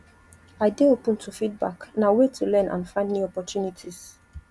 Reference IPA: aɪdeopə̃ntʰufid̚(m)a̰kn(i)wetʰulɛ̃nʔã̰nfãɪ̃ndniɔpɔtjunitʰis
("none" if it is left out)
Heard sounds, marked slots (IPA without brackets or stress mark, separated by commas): b, a